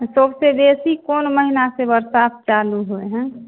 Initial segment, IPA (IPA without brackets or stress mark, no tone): s